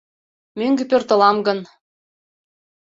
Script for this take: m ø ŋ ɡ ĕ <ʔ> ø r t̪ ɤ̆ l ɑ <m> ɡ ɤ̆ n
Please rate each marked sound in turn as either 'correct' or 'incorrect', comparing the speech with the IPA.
incorrect, correct

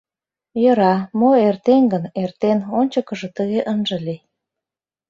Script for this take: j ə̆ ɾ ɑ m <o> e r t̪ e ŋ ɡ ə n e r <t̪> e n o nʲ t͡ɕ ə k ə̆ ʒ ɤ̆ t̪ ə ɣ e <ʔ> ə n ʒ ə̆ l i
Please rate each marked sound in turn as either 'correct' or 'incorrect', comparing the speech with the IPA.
correct, correct, correct

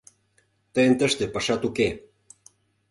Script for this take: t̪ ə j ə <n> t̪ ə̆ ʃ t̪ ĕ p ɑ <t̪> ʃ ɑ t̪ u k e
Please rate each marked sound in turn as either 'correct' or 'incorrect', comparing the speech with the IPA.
correct, incorrect

